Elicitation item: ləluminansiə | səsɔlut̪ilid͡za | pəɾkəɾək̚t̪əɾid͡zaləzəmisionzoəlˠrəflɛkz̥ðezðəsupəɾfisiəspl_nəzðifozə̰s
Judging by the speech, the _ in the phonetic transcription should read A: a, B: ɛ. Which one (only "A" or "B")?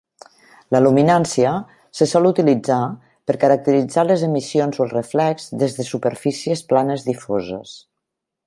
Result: A